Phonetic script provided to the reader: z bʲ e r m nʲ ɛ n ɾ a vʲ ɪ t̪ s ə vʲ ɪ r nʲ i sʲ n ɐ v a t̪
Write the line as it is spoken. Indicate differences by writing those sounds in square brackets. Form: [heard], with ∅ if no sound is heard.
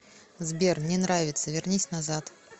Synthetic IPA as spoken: z bʲ e r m nʲ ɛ n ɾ a vʲ ɪ t̪ s ə vʲ ɪ r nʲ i sʲ n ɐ [z] a t̪

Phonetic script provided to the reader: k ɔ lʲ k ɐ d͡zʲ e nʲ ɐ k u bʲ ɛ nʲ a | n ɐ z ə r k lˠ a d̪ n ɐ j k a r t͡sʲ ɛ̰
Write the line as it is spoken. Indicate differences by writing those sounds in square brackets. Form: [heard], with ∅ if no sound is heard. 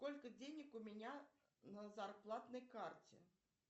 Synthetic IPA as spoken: k ɔ lʲ k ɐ d͡zʲ e nʲ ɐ k u [mʲ] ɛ nʲ a | n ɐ z [a] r [p] lˠ a [t̪] n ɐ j k a r t͡sʲ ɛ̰

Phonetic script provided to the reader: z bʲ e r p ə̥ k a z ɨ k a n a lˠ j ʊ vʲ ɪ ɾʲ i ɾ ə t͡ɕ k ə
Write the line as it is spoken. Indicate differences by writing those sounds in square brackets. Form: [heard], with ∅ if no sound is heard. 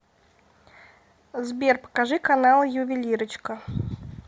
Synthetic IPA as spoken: z bʲ e r p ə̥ k a [ʐ] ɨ k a n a lˠ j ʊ vʲ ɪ [lʲ] i ɾ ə t͡ɕ k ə

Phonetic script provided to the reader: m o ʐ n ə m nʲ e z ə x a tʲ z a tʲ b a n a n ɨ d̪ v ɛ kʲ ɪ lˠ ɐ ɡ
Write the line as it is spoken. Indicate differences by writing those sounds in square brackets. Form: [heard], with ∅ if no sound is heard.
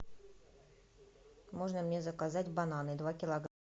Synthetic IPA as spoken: m o ʐ n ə m nʲ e z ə [k] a [∅] z a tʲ b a n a n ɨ d̪ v [a] kʲ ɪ lˠ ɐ ɡ

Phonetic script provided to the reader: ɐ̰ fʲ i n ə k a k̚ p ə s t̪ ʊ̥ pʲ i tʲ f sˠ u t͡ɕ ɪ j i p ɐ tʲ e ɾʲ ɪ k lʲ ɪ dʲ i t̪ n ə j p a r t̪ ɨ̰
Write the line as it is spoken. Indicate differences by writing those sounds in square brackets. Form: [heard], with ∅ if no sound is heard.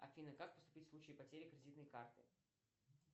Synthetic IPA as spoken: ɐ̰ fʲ i n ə k a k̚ p ə s t̪ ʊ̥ pʲ i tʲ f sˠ u t͡ɕ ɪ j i p ɐ tʲ e ɾʲ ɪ k [ɾʲ] ɪ dʲ i t̪ n ə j [k] a r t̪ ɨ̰

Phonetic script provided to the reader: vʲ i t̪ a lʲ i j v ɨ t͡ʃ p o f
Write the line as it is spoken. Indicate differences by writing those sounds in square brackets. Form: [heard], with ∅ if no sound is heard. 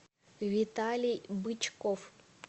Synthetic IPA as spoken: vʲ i t̪ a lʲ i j [b] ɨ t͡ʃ [k] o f

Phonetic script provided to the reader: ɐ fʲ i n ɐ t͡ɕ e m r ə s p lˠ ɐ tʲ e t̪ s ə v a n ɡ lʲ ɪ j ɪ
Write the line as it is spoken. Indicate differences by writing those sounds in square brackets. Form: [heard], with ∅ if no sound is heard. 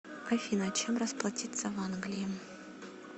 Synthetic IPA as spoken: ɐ fʲ i n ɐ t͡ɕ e m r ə s p lˠ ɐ tʲ [i] t̪ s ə v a n ɡ lʲ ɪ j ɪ

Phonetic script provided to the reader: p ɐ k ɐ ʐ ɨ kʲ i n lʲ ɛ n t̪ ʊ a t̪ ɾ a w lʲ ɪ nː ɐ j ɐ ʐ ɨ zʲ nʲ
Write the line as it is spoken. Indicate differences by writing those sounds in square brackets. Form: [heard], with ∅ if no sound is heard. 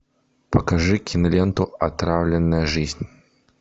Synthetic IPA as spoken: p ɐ k [a] ʐ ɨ kʲ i n lʲ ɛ n t̪ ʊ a t̪ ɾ a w lʲ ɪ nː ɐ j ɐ ʐ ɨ zʲ nʲ

